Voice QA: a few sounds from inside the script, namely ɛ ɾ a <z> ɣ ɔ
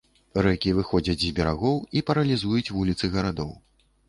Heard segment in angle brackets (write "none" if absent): none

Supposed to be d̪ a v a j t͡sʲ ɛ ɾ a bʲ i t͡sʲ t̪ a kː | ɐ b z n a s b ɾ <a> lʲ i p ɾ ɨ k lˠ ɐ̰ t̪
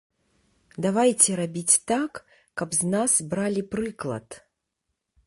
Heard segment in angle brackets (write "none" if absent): a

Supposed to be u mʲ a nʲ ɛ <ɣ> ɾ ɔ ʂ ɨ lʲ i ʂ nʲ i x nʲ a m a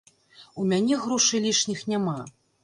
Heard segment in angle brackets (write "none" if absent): ɣ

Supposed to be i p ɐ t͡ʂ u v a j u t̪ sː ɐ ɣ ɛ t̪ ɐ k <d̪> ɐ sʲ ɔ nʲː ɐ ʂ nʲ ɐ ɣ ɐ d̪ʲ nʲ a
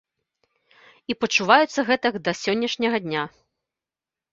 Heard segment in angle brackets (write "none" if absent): d̪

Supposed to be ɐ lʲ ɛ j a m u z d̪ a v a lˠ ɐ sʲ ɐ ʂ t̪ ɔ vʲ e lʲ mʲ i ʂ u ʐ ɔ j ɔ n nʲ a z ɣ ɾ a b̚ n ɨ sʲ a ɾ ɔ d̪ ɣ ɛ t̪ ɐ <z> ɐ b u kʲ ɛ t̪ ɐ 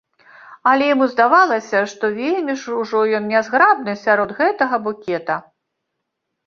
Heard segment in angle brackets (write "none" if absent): ɣ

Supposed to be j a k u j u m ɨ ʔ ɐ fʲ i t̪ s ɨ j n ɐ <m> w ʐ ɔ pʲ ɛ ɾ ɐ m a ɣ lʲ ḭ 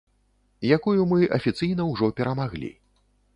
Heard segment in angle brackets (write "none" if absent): none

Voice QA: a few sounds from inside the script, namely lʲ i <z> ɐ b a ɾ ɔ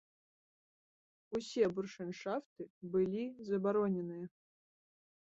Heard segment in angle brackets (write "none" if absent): z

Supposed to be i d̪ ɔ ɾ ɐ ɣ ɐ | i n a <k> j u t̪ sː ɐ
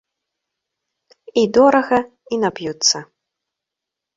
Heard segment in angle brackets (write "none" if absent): p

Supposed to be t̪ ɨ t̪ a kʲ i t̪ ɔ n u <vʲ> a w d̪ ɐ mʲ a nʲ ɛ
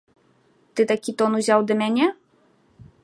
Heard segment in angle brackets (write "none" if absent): zʲ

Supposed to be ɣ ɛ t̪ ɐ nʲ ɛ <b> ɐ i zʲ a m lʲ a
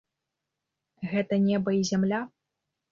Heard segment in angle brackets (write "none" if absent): b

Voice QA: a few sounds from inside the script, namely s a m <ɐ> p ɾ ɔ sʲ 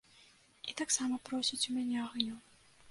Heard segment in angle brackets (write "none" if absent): ɐ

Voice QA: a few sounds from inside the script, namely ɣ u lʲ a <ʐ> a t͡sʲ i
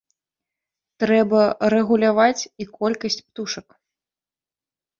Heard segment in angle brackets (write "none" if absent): v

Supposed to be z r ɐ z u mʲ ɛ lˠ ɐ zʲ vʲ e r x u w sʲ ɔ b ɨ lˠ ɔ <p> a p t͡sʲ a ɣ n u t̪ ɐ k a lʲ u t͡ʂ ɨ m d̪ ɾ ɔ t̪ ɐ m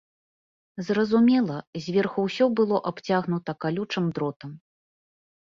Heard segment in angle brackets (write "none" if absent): ʔ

